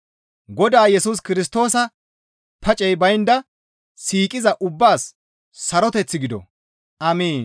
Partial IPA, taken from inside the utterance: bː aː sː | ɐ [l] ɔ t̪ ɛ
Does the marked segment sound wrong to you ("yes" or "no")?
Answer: yes